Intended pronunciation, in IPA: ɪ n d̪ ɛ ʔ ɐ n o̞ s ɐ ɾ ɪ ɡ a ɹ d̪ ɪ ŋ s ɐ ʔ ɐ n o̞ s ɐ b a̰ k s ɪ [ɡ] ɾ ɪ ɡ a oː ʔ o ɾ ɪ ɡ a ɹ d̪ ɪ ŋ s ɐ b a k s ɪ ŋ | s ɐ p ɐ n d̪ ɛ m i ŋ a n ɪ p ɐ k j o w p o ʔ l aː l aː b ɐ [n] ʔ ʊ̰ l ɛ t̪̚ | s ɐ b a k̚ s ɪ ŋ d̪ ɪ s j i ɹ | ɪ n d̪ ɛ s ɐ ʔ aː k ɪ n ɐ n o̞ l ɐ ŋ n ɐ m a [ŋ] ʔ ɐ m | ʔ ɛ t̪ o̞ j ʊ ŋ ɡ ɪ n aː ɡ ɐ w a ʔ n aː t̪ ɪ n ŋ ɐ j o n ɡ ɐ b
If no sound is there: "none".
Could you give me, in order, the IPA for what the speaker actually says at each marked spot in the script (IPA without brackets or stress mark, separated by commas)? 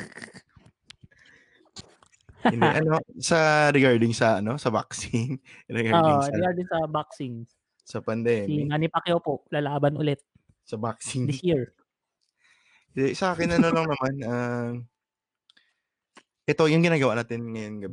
ŋ, n, n